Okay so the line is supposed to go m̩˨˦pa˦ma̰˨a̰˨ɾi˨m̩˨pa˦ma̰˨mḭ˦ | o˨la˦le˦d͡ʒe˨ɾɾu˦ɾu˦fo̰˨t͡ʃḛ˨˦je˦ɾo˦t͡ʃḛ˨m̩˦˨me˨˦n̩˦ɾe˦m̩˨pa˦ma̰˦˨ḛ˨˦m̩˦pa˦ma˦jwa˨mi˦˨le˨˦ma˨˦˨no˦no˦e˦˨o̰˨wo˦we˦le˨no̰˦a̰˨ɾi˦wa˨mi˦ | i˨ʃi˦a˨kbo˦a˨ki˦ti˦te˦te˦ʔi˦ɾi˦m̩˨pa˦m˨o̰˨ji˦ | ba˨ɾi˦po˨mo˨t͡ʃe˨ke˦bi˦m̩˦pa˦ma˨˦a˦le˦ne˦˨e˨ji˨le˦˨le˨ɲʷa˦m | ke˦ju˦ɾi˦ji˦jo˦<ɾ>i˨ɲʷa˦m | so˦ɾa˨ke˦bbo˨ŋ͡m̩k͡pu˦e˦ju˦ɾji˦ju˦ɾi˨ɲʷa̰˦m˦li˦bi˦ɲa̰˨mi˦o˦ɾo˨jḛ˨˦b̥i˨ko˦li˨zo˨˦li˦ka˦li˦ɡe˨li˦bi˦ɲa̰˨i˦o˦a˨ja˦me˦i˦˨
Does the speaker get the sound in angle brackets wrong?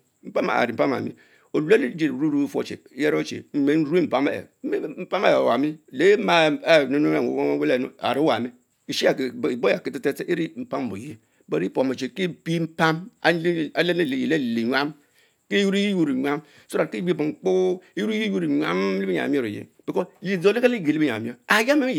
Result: no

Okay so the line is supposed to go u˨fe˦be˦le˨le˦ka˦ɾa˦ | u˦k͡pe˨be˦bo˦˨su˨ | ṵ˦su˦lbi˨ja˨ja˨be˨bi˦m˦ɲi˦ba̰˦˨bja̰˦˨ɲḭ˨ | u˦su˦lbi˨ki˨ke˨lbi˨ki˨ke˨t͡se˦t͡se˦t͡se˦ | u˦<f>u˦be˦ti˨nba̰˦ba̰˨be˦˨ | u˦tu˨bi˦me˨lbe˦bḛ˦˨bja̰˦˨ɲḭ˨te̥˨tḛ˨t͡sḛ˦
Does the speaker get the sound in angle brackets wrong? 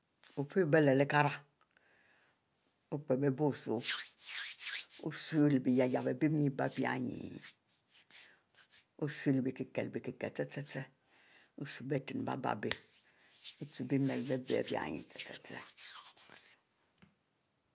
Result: yes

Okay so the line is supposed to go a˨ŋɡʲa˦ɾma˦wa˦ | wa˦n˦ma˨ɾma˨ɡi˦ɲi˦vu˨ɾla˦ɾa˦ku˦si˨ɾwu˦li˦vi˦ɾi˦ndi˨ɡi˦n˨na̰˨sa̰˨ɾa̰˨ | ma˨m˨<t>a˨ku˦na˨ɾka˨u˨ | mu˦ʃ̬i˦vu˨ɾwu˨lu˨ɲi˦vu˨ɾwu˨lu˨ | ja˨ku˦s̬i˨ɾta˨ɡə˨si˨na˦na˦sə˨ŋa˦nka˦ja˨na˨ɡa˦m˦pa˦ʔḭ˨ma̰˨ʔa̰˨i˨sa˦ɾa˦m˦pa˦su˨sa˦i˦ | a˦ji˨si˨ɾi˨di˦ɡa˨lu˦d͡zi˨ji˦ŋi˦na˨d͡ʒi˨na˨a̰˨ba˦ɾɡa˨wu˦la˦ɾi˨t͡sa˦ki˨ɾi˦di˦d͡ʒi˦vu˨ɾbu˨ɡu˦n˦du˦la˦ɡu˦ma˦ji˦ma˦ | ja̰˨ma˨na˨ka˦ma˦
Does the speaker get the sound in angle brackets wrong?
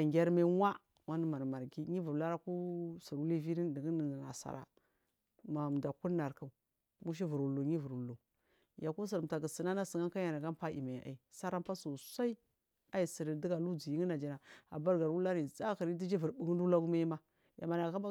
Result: yes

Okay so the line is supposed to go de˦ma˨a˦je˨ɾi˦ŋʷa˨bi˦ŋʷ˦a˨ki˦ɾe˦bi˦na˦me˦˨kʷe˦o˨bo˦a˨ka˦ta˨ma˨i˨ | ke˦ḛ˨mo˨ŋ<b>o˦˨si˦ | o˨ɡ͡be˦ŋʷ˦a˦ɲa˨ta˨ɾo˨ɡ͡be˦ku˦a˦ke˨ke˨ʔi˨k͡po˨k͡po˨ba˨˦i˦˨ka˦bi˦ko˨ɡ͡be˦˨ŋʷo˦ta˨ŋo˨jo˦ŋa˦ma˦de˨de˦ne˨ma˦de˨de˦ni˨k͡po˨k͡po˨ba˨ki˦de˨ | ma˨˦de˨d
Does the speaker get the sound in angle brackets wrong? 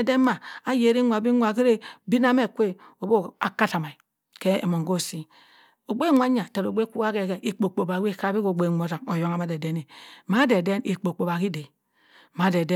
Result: yes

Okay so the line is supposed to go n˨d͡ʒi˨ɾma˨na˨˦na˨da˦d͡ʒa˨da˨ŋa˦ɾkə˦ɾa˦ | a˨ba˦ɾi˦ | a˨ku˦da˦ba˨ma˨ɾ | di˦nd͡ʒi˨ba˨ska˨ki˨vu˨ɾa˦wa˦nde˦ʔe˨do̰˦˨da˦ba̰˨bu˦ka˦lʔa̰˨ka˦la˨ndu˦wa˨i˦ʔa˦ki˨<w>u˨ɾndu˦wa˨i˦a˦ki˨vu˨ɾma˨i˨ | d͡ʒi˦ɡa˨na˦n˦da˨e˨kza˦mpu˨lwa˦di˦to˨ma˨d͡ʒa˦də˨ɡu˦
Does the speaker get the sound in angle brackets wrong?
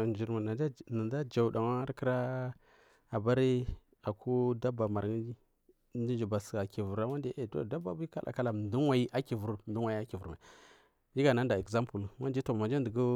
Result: yes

